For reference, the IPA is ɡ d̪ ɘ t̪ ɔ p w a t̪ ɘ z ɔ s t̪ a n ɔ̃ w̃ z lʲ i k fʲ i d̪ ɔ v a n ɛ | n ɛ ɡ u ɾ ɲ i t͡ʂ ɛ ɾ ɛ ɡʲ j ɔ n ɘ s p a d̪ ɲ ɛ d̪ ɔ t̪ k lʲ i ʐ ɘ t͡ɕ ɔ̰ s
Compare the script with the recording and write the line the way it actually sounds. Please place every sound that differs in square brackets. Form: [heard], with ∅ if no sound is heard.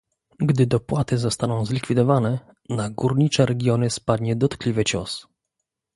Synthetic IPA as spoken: ɡ d̪ ɘ [d̪] ɔ p w a t̪ ɘ z ɔ s t̪ a n ɔ̃ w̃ z lʲ i k fʲ i d̪ ɔ v a n ɛ | n [a] ɡ u ɾ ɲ i t͡ʂ ɛ ɾ ɛ ɡʲ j ɔ n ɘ s p a d̪ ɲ ɛ d̪ ɔ t̪ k lʲ i [v] ɘ t͡ɕ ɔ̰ s

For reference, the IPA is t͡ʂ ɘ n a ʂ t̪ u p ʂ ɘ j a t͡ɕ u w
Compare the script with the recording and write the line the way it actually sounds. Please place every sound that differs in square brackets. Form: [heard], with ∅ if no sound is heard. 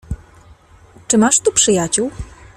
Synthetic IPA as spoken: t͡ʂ ɘ [m] a ʂ t̪ u p ʂ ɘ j a t͡ɕ u w

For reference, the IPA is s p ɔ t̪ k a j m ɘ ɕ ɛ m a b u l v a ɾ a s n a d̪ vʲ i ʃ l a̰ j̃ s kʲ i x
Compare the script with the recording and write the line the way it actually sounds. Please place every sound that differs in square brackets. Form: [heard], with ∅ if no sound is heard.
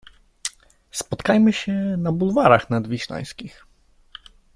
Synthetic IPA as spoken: s p ɔ t̪ k a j m ɘ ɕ ɛ [n] a b u l v a ɾ a [x] n a d̪ vʲ i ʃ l a̰ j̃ s kʲ i x

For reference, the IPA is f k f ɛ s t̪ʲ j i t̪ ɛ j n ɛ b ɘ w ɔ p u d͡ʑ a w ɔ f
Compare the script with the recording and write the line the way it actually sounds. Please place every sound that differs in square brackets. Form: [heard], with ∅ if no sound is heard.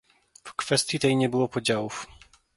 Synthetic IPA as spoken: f k f ɛ s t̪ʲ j i t̪ ɛ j [ɲ] ɛ b ɘ w ɔ p [ɔ] d͡ʑ a w [u] f

